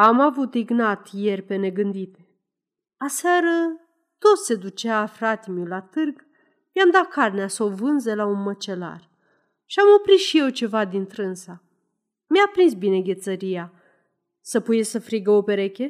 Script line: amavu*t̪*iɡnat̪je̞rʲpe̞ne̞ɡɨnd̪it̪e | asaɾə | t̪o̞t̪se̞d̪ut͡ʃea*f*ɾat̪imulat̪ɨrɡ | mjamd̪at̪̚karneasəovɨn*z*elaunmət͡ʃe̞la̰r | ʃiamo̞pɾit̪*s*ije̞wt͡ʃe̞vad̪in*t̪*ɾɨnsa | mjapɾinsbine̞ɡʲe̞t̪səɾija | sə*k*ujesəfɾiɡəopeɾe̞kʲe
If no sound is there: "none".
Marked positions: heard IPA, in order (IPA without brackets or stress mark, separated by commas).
t̪, f, z, ʃ, t̪, p